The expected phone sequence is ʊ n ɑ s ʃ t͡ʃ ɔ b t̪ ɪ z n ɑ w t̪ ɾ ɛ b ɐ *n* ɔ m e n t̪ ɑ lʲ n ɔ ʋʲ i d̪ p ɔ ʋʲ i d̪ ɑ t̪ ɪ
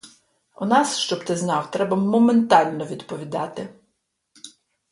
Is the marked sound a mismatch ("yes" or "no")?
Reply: yes